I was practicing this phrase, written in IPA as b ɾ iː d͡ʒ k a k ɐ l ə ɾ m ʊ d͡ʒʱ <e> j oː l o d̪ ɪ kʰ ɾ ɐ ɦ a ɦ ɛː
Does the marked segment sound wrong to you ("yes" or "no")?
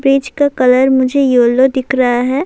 no